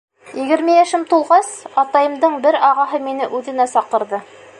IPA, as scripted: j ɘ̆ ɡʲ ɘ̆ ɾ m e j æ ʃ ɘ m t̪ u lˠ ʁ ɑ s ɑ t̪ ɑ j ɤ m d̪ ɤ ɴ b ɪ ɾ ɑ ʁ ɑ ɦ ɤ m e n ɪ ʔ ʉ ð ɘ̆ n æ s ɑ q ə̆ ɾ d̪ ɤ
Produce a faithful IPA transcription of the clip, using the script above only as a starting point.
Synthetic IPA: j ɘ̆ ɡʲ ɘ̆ ɾ m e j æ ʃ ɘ m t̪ u lˠ ʁ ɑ s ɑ t̪ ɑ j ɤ m d̪ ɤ ɴ b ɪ ɾ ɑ ʁ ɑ ɦ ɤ m e n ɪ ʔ ʉ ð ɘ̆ n æ s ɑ q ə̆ ɾ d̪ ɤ